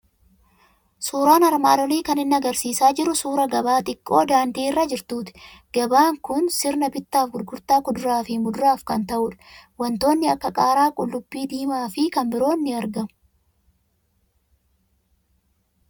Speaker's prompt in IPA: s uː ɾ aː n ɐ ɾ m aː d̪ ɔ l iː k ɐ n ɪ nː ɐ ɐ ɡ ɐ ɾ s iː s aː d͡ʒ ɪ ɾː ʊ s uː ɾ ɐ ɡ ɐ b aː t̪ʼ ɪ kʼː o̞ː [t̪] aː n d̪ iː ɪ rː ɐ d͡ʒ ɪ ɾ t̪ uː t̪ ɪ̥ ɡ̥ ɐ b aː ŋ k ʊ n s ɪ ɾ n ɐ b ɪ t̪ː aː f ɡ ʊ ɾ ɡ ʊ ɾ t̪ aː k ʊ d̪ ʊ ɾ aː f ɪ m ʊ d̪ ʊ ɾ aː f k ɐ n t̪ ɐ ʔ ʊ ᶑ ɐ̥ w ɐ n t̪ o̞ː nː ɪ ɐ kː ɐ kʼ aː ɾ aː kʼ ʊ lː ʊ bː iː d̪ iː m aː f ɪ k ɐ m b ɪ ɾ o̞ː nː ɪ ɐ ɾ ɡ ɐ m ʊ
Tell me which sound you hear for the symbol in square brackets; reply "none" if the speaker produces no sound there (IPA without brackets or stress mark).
d̪